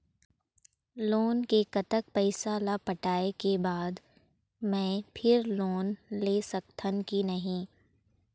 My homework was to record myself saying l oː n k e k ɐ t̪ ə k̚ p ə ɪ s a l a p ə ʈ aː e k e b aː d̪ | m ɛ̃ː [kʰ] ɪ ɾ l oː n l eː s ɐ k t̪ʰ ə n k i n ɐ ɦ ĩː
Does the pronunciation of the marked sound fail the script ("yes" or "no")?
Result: yes